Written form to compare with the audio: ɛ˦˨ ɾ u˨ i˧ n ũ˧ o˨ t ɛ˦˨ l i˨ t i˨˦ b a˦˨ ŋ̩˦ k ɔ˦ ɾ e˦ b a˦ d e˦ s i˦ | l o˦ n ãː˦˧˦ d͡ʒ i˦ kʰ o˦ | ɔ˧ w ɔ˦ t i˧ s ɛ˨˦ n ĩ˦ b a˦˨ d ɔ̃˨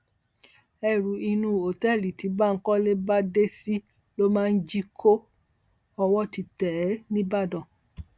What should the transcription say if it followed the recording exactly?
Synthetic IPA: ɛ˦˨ ɾ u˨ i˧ n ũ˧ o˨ t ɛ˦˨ l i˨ t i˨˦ b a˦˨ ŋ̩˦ k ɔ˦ l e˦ b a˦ d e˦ s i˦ | l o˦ m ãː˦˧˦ d͡ʒ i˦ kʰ o˦ | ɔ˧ w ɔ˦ t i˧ t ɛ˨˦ n ĩ˦ b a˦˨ d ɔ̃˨